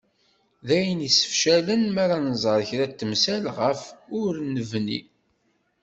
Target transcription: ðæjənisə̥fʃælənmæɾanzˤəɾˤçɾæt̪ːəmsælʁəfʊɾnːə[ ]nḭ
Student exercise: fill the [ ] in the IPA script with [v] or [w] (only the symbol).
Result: v